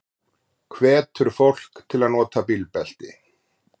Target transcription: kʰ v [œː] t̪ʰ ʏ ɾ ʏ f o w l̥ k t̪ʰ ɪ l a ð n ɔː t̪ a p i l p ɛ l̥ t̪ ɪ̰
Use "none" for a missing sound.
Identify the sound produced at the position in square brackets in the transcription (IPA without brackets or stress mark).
ɛː